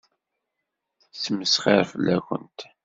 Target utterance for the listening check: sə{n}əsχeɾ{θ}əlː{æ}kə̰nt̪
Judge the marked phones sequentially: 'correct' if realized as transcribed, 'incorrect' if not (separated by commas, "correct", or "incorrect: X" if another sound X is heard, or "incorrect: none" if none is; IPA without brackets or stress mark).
incorrect: m, incorrect: f, correct